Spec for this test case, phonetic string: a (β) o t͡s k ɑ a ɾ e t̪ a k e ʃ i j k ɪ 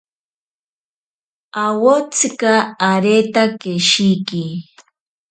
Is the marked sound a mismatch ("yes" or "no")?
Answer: yes